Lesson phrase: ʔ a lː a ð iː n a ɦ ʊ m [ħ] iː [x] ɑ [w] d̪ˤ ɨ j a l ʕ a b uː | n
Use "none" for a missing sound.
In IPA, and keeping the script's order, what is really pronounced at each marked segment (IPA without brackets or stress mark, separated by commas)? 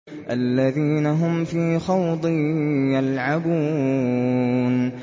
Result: f, x, w